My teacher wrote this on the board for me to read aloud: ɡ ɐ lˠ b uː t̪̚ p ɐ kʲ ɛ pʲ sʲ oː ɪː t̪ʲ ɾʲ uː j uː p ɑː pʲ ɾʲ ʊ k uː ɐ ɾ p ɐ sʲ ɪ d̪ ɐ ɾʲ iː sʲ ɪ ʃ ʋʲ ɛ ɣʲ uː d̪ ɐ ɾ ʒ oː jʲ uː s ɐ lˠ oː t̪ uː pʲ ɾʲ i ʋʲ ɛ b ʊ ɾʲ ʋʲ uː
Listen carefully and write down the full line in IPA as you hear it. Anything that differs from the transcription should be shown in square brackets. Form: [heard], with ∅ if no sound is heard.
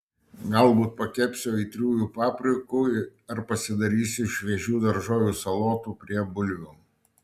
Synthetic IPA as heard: ɡ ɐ lˠ b uː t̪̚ p ɐ kʲ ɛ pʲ sʲ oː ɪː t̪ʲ ɾʲ uː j uː p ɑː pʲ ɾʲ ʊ k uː ɐ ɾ p ɐ sʲ ɪ d̪ ɐ ɾʲ iː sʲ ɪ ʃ ʋʲ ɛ [ʒʲ] uː d̪ ɐ ɾ ʒ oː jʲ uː s ɐ lˠ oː t̪ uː pʲ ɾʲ i [∅] ɛ b ʊ [lʲ] ʋʲ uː